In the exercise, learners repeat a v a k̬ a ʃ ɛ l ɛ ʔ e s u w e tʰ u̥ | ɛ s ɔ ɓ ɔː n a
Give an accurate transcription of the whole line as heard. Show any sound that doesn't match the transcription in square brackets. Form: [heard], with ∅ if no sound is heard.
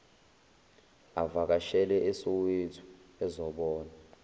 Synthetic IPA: a v a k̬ a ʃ ɛ l ɛ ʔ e s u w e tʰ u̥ | ɛ [z] ɔ ɓ ɔː n a